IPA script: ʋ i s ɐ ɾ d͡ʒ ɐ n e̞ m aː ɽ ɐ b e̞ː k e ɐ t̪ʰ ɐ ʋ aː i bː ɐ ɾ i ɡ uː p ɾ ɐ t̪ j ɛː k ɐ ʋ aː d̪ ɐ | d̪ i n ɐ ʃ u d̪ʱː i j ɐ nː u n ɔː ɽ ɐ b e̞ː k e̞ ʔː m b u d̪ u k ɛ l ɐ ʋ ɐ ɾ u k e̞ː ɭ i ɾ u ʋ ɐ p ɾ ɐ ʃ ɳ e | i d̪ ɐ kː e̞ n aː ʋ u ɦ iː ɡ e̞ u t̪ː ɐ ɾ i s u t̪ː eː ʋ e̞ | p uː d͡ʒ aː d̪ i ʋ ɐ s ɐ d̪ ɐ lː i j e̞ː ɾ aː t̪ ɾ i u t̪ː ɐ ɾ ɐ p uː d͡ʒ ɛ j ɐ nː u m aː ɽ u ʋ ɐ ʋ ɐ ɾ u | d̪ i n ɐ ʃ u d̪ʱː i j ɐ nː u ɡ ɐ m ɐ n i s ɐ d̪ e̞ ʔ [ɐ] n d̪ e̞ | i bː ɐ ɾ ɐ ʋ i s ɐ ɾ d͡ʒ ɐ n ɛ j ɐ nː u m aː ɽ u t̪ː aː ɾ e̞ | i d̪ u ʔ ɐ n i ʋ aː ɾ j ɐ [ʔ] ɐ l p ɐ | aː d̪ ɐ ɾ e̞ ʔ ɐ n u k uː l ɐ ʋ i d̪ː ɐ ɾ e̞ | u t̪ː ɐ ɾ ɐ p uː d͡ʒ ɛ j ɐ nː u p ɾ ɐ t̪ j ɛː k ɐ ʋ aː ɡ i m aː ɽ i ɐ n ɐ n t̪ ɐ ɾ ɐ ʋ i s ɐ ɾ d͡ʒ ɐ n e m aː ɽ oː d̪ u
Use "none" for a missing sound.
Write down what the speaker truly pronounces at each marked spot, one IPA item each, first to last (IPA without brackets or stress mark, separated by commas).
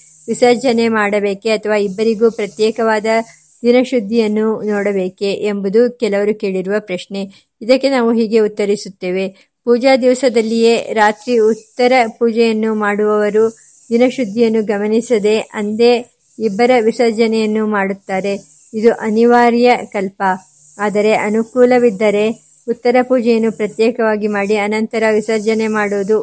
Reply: ɐ, k